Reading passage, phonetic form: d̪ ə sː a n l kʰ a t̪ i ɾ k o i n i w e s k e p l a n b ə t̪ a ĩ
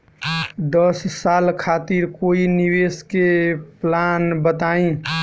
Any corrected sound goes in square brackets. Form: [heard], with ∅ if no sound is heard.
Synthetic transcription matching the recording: d̪ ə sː a [∅] l kʰ a t̪ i ɾ k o i n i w e s k e p l a n b ə t̪ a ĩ